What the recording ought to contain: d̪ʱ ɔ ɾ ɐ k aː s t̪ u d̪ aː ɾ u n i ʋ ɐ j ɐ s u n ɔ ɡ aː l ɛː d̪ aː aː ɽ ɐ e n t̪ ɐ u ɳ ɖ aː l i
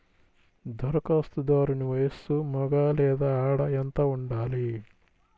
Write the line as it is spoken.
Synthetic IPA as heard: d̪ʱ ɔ ɾ ɐ k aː s t̪ u d̪ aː ɾ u n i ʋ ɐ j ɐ s u m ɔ ɡ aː l ɛː d̪ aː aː ɽ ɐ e n t̪ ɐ u ɳ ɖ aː l i